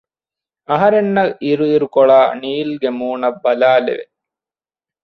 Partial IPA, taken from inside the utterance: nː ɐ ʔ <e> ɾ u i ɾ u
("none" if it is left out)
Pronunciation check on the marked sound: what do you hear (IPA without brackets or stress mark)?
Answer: i